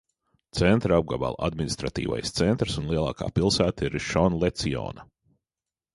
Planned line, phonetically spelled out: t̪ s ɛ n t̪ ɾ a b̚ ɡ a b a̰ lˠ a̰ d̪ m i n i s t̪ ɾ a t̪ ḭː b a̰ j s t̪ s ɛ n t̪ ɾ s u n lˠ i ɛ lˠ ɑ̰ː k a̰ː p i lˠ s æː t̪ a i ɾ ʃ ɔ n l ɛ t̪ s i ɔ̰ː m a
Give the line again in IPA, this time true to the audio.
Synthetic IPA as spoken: t̪ s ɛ n t̪ ɾ a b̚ ɡ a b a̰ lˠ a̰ d̪ m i n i s t̪ ɾ a t̪ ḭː v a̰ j s t̪ s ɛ n t̪ ɾ s u n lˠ i ɛ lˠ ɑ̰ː k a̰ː p i lˠ s æː t̪ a i ɾ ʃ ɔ n l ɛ t̪ s i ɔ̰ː n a